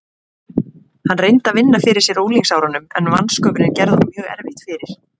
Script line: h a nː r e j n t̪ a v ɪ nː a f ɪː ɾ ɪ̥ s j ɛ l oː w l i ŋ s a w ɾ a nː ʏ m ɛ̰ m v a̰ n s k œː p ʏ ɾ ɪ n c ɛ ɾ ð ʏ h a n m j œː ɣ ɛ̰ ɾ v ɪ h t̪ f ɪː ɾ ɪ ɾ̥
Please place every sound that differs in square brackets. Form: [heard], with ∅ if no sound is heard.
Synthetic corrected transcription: h a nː r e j n t̪ a v ɪ nː a f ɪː ɾ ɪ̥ s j ɛ [ɾ] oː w l i ŋ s a w ɾ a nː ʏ m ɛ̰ [n] v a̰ n s k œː p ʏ ɾ ɪ n c ɛ ɾ ð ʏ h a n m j œː ɣ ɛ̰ ɾ v ɪ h t̪ f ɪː ɾ ɪ ɾ̥